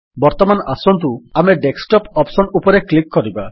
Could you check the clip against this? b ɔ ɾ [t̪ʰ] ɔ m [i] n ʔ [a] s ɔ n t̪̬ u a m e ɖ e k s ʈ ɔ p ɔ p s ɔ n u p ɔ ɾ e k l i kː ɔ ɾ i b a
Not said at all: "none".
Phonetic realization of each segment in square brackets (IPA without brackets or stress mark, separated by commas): t̪, a, a